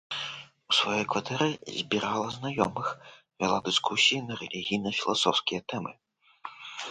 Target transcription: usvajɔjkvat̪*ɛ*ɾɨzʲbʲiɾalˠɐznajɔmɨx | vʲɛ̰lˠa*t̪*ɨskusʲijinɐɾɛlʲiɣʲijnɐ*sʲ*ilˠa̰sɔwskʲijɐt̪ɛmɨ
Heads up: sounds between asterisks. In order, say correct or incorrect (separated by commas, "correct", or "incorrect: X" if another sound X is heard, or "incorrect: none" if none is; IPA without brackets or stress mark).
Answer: correct, incorrect: d̪, incorrect: fʲ